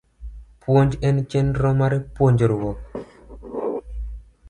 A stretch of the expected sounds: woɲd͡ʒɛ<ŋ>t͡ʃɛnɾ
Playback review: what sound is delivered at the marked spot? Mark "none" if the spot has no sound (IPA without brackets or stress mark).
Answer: n